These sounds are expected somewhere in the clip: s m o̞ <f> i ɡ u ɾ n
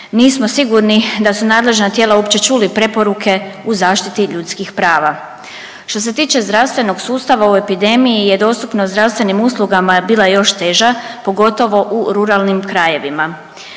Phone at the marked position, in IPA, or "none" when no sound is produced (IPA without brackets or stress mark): s